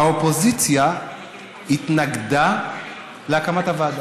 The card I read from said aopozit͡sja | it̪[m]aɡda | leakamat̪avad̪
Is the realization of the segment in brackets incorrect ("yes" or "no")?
yes